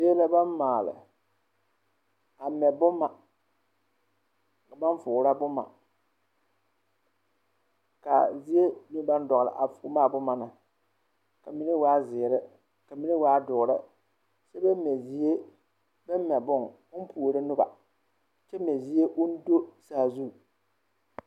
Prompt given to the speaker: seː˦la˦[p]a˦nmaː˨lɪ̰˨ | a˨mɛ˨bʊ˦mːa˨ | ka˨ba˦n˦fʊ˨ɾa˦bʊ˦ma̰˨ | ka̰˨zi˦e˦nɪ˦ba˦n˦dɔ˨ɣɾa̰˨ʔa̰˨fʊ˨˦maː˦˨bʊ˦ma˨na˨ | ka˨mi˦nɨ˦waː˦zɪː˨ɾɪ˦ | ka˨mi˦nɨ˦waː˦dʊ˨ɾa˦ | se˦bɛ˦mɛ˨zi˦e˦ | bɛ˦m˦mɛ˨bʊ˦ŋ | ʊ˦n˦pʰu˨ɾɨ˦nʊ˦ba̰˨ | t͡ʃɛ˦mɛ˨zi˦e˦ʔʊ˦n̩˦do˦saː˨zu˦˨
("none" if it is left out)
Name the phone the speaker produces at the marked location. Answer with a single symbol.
b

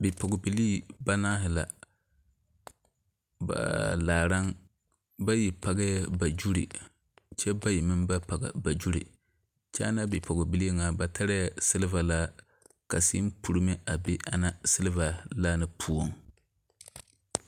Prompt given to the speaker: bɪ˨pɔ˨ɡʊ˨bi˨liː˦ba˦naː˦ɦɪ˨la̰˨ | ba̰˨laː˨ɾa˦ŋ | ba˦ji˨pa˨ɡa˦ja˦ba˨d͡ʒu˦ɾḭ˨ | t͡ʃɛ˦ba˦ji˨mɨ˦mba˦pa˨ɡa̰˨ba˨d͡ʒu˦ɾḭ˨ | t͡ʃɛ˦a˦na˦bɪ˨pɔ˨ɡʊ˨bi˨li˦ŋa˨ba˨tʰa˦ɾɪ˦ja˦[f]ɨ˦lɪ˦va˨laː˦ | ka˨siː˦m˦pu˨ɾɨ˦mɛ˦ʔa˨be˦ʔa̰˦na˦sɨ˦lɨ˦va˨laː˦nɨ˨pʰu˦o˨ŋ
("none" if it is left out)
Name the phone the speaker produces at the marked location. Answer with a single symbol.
s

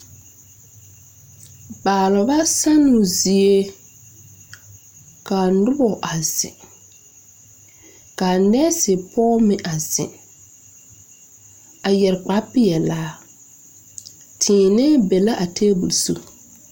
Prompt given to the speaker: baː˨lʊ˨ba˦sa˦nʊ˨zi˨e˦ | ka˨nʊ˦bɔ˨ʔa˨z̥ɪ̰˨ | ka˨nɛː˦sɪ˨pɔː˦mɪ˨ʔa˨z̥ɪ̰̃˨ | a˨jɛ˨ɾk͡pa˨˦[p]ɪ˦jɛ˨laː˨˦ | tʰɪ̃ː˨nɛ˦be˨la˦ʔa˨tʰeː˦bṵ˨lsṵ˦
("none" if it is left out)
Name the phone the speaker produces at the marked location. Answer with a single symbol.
p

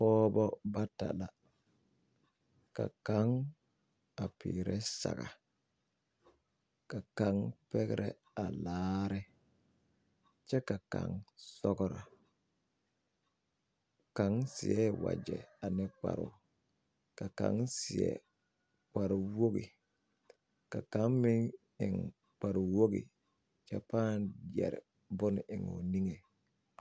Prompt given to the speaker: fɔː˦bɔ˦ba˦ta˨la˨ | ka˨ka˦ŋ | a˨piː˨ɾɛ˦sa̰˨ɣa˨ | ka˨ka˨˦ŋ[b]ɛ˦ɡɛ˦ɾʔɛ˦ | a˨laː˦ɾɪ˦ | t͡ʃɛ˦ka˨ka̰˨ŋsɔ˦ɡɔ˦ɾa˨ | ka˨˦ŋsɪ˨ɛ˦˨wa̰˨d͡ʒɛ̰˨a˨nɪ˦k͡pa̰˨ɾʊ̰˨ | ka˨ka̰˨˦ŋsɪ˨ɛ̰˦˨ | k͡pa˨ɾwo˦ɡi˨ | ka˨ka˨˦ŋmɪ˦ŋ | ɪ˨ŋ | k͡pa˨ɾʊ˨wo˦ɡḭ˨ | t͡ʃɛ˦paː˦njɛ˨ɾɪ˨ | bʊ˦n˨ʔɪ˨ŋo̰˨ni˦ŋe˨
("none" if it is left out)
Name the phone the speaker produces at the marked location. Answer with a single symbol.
p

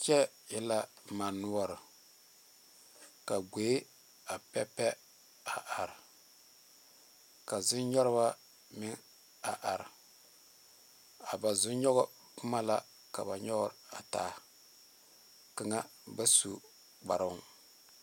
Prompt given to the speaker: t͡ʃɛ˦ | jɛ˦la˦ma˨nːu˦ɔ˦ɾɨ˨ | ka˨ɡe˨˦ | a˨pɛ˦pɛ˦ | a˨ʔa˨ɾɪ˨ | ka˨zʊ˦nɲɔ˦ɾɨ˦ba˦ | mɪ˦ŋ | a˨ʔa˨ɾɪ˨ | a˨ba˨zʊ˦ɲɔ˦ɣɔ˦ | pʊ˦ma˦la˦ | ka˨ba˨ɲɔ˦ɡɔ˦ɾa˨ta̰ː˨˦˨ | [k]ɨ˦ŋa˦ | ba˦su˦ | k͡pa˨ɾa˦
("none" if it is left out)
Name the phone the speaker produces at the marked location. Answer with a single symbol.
k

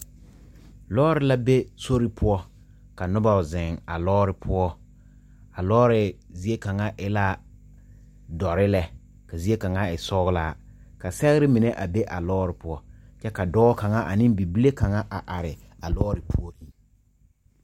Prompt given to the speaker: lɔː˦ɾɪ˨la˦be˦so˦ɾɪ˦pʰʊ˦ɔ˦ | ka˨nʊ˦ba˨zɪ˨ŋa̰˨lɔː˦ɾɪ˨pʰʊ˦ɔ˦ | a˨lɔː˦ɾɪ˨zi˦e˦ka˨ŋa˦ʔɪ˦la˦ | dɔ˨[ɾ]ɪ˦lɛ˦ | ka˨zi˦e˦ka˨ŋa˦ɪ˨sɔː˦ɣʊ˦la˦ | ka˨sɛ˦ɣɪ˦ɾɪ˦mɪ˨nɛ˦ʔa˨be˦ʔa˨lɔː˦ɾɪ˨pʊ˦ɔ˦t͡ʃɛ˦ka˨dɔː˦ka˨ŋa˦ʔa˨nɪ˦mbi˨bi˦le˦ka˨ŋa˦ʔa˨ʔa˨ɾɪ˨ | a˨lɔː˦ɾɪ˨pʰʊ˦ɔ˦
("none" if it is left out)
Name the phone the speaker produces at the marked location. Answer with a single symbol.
ɾ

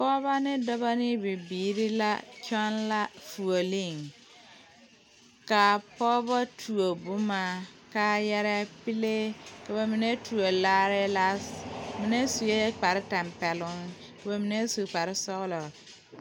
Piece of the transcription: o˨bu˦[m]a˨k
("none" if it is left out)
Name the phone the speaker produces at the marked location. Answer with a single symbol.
m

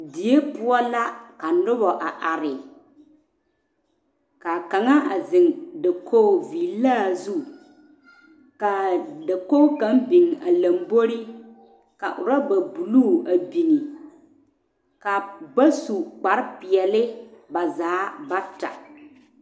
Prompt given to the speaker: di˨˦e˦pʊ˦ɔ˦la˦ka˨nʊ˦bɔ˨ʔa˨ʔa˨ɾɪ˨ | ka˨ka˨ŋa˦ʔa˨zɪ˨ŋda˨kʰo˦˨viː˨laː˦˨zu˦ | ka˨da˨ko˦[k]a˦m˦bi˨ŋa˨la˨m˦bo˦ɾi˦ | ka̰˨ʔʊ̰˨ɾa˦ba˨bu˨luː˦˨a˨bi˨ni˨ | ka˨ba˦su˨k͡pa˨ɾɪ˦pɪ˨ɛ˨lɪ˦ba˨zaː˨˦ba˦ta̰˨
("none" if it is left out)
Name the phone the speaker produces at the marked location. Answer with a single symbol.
k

